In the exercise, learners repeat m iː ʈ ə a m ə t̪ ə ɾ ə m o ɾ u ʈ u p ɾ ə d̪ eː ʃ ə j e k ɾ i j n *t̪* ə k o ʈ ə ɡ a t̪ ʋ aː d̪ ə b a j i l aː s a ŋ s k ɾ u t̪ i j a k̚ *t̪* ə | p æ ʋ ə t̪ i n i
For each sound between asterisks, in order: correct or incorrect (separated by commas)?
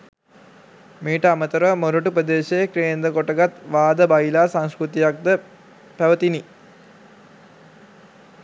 incorrect, incorrect